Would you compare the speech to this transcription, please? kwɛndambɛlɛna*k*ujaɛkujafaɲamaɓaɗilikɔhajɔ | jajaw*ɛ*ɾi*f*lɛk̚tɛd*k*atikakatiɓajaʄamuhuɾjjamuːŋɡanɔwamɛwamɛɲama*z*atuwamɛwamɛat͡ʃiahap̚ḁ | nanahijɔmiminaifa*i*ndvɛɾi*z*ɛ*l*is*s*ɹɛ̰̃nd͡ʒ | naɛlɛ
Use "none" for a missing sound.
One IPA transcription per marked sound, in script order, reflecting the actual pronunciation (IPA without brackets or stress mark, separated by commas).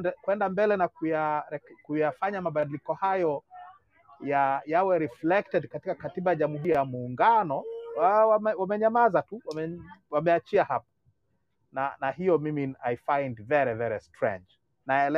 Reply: k, ɛ, f, k, z, j, v, ɾ, t